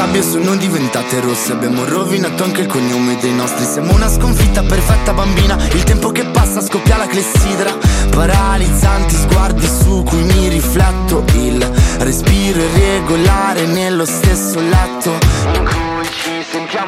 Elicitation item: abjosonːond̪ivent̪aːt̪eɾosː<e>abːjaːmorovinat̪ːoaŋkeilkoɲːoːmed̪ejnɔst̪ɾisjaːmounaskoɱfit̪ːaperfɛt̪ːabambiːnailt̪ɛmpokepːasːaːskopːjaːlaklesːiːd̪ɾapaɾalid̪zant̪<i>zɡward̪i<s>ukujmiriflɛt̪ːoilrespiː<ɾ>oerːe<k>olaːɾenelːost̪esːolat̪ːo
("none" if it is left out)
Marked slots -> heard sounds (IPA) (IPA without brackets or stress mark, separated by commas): e, i, s, ɾ, ɡ